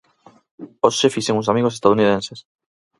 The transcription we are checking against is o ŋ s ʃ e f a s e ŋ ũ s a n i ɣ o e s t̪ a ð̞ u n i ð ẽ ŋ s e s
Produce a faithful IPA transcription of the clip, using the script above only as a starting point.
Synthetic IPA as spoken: o s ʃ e f i s e ŋ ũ s a m i ɣ o e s t̪ a ð̞ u n i ð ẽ n s e s

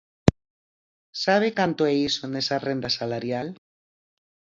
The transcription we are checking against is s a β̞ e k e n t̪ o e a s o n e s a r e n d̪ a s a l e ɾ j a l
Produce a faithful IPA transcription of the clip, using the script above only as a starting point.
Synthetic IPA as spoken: s a β̞ e k a n t̪ o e i s o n e s a r e n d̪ a s a l a ɾ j a l

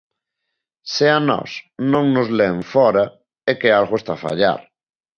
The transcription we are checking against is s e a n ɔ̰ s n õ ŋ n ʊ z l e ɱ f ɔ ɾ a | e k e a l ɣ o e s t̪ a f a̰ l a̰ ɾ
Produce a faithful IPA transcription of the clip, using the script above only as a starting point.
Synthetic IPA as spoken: s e a n ɔ̰ s n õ ŋ n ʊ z l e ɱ f ɔ ɾ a | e k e a l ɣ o e s t̪ a f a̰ ʎ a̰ ɾ

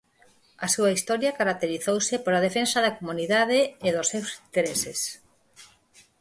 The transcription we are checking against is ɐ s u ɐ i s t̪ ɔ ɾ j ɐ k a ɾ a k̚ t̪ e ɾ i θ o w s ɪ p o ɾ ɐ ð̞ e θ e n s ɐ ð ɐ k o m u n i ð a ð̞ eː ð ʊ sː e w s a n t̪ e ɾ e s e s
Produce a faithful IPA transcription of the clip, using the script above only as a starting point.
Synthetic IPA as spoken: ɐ s u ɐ i s t̪ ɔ ɾ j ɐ k a ɾ a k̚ t̪ e ɾ i θ o w s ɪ p o ɾ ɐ ð̞ e f e n s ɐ ð ɐ k o m u n i ð a ð̞ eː ð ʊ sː e w s i n t̪ e ɾ e s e s

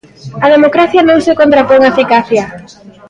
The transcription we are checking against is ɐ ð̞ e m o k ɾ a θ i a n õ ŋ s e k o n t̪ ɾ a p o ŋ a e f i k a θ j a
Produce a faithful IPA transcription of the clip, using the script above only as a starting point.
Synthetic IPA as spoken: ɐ ð̞ e m o k ɾ a θ j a n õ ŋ s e k o n t̪ ɾ a p o ŋ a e f i k a θ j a

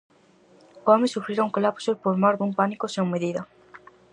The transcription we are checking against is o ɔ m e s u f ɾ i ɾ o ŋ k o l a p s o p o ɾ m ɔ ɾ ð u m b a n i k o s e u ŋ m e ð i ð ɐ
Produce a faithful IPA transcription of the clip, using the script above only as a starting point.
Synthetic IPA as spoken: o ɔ m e s u f ɾ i ɾ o ŋ k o l a p s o p o ɾ m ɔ ɾ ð u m p a n i k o s e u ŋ m e ð i ð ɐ

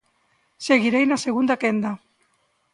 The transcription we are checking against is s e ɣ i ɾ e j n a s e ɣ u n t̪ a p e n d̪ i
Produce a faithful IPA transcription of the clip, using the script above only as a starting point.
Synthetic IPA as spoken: s e ɣ i ɾ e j n a s e ɣ u n d̪ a k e n d̪ a

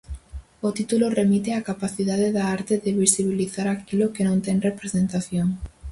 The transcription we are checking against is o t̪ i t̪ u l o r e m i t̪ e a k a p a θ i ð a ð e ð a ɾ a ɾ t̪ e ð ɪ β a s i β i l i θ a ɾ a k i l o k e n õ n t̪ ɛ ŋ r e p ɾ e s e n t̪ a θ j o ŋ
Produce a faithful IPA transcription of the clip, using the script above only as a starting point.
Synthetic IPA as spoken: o t̪ i t̪ u l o r e m i t̪ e a k a p a θ i ð a ð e ð a a ɾ t̪ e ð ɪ β i s i β i l i θ a ɾ a k i l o k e n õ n t̪ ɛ ŋ r e p ɾ e s e n t̪ a θ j o ŋ

